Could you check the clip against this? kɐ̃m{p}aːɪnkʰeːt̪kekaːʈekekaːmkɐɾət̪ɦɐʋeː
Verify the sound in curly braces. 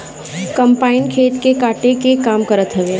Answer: correct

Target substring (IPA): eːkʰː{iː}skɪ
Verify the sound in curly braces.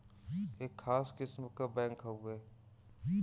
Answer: incorrect: aː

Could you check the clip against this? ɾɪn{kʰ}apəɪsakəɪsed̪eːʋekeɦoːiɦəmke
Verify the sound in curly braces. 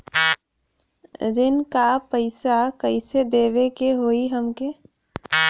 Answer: incorrect: k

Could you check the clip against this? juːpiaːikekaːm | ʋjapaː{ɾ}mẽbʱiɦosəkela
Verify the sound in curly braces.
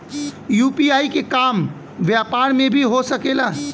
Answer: correct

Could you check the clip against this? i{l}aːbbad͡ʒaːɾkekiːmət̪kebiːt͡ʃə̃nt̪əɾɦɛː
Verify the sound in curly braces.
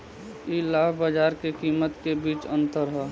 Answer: correct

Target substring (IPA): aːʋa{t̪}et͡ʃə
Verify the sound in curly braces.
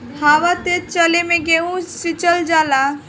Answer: correct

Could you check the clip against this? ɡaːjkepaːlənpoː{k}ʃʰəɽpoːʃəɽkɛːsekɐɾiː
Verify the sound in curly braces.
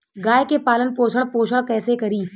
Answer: incorrect: none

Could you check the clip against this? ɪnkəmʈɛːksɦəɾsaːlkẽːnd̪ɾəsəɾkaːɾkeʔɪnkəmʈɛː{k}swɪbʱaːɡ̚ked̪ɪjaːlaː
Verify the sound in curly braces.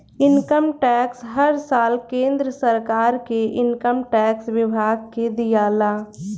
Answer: correct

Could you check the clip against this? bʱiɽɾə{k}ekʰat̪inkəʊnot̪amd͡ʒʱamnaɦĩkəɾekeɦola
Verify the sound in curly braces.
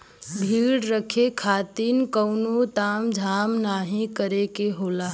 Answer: incorrect: kʰ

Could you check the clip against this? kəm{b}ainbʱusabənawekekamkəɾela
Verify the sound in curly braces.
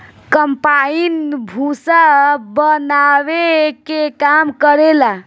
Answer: incorrect: p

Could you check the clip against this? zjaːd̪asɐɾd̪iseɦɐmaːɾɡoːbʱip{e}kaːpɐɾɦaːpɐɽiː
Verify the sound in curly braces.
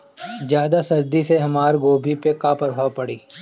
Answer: correct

